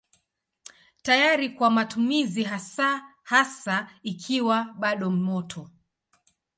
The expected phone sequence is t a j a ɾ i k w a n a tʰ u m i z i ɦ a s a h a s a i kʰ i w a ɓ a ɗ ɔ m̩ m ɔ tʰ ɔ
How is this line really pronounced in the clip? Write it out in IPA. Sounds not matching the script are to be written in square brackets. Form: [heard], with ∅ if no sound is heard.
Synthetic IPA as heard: t a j a ɾ i k w a [m] a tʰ u m i z i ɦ a s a h a s a i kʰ i w a ɓ a ɗ ɔ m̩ m ɔ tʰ ɔ